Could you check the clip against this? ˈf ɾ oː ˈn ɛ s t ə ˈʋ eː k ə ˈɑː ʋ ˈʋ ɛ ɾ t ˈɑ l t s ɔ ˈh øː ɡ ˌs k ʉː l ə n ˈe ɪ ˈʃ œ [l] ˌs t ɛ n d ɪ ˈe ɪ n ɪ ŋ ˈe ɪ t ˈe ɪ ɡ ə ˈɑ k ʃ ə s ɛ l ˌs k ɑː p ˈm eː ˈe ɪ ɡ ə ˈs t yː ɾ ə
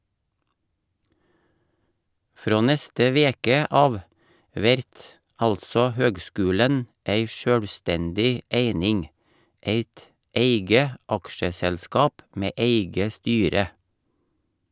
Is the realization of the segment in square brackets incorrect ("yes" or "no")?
yes